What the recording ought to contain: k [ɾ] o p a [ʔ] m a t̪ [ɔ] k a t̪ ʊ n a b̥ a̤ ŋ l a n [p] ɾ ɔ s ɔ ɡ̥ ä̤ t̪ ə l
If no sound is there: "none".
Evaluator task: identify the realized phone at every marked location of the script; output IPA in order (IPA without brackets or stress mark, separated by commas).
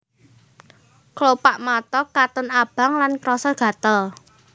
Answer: l, ʔ, ɔ, k